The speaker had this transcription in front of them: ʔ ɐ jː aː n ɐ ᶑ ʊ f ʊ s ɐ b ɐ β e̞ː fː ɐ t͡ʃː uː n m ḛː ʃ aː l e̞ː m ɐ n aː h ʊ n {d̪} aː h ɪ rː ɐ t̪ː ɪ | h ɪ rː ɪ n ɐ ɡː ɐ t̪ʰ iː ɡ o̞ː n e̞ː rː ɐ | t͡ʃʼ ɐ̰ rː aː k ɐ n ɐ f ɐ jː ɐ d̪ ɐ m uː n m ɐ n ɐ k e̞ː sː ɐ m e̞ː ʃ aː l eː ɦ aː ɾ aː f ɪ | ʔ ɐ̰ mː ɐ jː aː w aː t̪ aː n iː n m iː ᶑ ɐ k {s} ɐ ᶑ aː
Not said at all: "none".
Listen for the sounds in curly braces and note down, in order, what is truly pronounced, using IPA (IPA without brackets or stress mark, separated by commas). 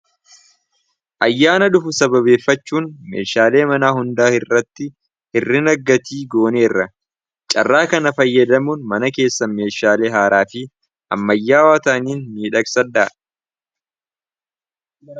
d̪, s